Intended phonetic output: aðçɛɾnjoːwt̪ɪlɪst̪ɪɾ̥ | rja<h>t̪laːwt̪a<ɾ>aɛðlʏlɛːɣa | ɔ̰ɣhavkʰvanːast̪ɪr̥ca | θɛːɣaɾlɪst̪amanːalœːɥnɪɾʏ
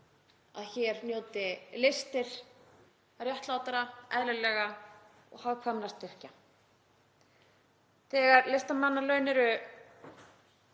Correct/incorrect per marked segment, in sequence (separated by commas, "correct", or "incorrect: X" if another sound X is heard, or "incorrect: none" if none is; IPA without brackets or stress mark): correct, correct